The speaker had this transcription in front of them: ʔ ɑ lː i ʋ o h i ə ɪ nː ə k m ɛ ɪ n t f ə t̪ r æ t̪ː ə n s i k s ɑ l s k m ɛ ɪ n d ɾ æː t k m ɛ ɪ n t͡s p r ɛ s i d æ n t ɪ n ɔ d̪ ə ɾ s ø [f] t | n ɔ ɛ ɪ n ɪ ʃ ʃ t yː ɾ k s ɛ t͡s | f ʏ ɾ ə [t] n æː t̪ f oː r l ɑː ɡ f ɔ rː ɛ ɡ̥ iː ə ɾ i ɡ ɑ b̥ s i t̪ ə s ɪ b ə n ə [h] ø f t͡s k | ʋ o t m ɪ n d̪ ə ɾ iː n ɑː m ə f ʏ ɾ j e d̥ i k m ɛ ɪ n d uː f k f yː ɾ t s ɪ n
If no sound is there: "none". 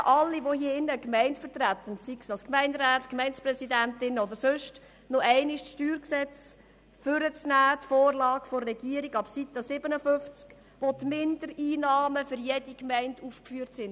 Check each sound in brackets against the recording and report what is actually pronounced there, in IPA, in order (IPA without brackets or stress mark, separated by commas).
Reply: ʃ, t͡s, f